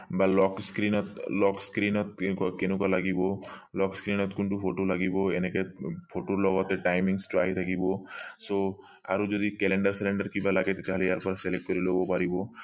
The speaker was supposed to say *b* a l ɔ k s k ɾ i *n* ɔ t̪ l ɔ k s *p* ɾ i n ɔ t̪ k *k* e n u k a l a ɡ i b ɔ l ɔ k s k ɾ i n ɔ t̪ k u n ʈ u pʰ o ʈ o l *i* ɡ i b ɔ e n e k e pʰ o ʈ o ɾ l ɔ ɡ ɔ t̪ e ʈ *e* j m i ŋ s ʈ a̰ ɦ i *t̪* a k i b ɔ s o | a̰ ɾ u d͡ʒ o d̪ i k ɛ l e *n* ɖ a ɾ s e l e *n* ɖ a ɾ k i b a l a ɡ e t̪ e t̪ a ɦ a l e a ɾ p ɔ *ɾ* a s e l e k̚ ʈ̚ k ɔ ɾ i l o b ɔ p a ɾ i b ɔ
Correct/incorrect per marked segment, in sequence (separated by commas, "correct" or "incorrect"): correct, correct, incorrect, correct, incorrect, incorrect, incorrect, incorrect, incorrect, correct